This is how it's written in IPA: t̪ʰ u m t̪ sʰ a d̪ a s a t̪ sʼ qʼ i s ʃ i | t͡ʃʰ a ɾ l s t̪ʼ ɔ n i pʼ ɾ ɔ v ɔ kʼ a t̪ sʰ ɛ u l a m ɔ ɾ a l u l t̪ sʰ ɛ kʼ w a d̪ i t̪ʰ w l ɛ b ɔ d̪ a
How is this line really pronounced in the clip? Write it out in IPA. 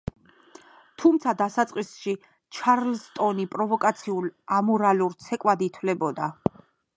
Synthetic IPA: t̪ʰ u m t̪ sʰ a d̪ a s a t̪ sʼ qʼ i s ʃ i | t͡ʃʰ a ɾ l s t̪ʼ ɔ n i pʼ ɾ ɔ v ɔ kʼ a t̪ sʰ i u l a m ɔ ɾ a l u ɾ t̪ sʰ ɛ kʼ w a d̪ i t̪ʰ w l ɛ b ɔ d̪ a